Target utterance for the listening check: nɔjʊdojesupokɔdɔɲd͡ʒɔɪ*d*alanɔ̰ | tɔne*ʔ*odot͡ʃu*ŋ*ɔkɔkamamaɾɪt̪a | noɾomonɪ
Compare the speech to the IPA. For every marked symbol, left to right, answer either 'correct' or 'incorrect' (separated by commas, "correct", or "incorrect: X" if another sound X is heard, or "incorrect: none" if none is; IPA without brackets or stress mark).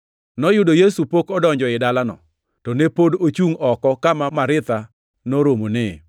correct, incorrect: p, correct